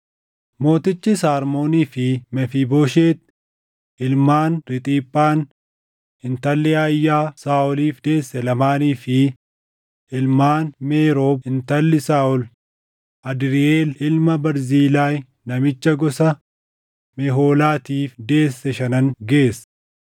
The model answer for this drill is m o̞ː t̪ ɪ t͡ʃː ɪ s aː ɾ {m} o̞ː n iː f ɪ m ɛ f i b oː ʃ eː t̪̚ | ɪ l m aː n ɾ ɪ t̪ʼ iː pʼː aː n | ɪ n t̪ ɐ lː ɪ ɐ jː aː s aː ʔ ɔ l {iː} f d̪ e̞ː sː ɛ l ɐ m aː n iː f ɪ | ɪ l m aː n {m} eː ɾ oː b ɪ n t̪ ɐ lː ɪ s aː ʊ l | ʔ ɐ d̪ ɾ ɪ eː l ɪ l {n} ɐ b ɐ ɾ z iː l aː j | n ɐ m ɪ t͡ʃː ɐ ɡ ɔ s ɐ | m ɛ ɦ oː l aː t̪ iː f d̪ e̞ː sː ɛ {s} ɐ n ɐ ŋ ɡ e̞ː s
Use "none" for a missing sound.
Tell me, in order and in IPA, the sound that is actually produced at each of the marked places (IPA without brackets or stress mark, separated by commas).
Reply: m, iː, m, m, ʃ